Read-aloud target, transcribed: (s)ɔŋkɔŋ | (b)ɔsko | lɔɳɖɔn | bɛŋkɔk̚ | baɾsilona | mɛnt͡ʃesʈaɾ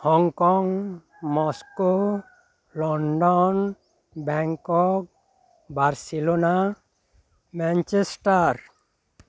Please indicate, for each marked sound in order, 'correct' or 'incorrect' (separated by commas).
incorrect, incorrect